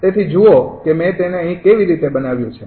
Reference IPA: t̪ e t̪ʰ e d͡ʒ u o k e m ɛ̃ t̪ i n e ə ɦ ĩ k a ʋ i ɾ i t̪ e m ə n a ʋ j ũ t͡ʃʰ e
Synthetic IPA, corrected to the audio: t̪ e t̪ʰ i d͡ʒ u o k e m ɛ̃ t̪ e n e ə ɦ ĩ k e ʋ i ɾ i t̪ e b ə n a ʋ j ũ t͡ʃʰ e